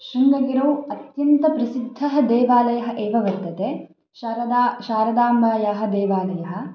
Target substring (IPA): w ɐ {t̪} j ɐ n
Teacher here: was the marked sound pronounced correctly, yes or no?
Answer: yes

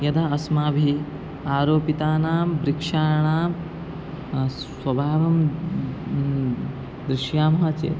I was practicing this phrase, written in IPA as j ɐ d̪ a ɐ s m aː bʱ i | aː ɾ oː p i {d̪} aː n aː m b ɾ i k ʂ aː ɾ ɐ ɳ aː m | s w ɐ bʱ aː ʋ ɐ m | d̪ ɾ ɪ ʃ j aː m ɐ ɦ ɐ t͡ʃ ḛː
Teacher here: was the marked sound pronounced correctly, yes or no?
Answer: no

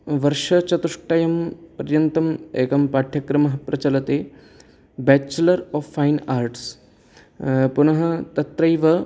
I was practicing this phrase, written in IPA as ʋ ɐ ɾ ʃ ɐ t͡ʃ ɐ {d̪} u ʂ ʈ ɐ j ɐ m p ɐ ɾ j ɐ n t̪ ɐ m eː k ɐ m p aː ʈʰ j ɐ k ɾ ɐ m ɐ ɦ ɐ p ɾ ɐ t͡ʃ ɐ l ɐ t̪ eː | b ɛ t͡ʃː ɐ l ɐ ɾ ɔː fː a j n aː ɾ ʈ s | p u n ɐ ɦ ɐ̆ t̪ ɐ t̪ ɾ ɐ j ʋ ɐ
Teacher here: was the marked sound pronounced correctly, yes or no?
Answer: no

